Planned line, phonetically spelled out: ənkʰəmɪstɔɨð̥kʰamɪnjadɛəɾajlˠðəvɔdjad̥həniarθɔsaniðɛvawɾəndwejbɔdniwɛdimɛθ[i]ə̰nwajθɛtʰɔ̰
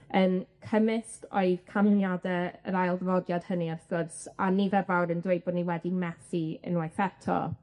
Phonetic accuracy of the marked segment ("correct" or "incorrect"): correct